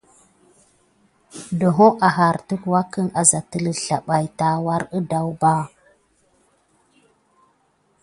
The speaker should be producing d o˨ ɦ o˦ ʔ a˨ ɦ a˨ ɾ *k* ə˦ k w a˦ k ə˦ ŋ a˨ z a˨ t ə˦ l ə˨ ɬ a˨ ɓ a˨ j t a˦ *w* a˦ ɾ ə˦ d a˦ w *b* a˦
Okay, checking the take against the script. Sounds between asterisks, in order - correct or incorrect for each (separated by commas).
incorrect, correct, correct